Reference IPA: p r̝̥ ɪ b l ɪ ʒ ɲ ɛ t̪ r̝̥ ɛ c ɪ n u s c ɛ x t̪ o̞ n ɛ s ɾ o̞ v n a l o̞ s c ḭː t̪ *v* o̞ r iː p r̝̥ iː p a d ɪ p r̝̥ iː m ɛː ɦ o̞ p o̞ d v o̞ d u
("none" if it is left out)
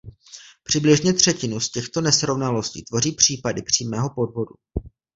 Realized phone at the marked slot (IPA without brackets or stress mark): v